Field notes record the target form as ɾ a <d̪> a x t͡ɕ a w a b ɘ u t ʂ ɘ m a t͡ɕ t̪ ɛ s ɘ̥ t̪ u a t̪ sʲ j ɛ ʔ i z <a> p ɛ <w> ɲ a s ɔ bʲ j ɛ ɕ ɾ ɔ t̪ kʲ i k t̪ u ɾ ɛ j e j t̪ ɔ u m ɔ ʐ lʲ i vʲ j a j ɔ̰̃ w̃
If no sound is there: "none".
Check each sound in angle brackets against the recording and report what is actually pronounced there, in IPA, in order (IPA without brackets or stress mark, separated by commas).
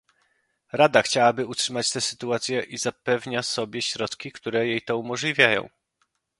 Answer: d̪, a, v